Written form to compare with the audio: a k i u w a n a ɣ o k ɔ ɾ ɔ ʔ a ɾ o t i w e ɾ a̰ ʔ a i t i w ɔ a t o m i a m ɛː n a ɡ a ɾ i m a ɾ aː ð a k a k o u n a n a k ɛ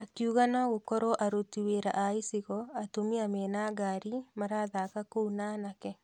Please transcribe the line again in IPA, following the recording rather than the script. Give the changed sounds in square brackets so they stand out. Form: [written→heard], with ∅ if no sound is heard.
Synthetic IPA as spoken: a k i u [w→ɣ] a n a ɣ o k ɔ ɾ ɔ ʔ a ɾ o t i w e ɾ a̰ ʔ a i [t→s] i [w→ɣ] ɔ a t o m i a m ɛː n a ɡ a ɾ i m a ɾ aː ð a k a k o u n a n a k ɛ